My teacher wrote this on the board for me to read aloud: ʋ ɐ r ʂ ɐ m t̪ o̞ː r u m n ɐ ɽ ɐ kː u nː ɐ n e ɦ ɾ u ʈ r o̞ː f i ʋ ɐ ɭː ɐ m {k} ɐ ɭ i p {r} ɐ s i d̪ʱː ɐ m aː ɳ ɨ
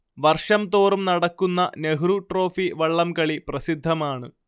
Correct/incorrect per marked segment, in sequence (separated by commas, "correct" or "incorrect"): correct, correct